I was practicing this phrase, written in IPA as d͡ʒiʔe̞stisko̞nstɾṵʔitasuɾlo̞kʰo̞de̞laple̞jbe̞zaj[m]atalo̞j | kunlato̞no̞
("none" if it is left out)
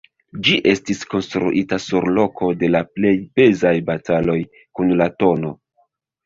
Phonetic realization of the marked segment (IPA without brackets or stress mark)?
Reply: b